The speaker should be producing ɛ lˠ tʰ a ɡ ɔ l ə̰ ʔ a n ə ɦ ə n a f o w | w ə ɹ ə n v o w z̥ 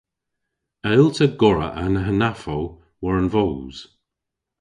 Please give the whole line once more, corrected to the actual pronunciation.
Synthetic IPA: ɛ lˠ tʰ ə ɡ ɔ ɹ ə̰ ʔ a n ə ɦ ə n a f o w | w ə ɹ ə n v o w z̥

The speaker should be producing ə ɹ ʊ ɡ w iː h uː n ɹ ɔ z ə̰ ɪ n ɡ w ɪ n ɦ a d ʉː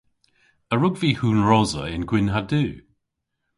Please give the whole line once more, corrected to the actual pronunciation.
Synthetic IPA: ə ɹ ʊ ɡ v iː h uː n ɹ ɔ z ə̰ ɪ n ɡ w ɪ n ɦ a d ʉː

